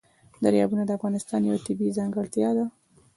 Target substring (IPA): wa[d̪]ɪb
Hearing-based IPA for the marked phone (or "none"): t̪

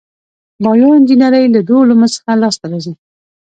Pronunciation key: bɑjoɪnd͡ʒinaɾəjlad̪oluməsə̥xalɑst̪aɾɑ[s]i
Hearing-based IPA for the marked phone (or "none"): z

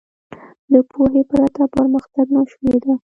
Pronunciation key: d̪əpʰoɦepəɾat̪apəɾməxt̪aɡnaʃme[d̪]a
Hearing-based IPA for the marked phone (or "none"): d̪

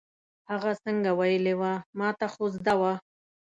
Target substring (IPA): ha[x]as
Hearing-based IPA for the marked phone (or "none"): ɣ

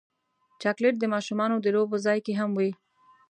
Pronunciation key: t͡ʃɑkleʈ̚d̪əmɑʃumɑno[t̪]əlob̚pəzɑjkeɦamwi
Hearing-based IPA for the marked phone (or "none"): d̪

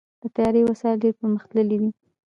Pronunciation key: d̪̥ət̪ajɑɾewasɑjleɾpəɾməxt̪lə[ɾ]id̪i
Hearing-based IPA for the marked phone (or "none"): l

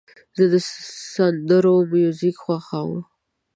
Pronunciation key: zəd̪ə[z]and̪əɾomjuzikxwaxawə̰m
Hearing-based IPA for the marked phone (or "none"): s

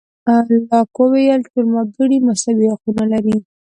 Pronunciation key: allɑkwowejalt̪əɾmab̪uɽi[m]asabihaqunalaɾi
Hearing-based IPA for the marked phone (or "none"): m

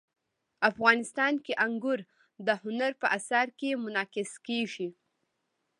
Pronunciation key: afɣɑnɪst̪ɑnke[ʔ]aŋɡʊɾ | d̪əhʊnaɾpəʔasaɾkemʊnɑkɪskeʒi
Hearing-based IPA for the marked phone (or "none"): ʔ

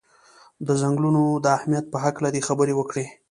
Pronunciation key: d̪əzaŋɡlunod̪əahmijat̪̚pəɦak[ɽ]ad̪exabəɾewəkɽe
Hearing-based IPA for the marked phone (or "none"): l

